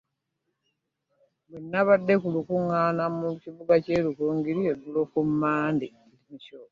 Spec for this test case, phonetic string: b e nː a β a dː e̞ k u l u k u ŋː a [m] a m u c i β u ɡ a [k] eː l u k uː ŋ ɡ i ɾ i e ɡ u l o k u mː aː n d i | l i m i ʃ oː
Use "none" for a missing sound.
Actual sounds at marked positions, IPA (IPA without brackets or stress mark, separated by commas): n, c